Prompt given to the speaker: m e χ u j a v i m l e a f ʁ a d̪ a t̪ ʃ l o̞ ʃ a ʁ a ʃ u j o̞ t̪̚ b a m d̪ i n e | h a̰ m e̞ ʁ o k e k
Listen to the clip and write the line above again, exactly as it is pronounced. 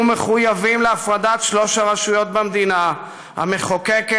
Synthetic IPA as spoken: m e χ u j a v i m l e a f ʁ a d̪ a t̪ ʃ l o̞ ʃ a ʁ a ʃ u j o̞ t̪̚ b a m d̪ i n a | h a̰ m e̞ χ o k e k